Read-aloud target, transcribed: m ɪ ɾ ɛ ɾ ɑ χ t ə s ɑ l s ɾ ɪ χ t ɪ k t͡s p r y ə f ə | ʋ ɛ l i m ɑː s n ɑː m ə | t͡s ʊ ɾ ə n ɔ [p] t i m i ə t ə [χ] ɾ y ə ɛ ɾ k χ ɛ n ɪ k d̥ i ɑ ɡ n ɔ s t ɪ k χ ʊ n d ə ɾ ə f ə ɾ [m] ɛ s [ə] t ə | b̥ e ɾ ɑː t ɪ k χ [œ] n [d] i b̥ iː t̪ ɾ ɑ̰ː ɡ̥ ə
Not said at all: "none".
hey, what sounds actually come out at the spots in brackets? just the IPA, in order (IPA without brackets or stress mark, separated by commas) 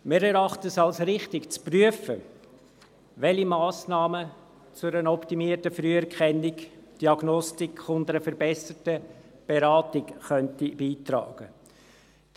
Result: p, f, b, ə, œ, t